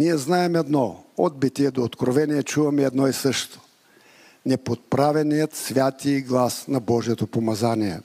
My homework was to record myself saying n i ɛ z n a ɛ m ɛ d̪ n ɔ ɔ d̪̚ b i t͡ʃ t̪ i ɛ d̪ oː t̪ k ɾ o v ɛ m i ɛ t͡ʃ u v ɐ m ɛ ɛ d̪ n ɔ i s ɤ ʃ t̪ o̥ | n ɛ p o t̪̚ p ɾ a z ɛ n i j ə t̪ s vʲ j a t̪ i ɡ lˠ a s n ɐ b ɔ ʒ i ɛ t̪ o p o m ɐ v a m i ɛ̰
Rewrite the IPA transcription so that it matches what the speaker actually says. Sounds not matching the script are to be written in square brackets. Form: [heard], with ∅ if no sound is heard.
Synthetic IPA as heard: n i ɛ z n a ɛ m ɛ d̪ n ɔ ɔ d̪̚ b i [∅] t̪ i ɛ d̪ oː t̪ k ɾ o v ɛ [n] i ɛ t͡ʃ u v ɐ m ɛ ɛ d̪ n ɔ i s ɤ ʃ t̪ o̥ | n ɛ p o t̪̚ p ɾ a [v] ɛ n i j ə t̪ s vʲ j a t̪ i ɡ lˠ a s n ɐ b ɔ ʒ i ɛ t̪ o p o m ɐ [z] a [n] i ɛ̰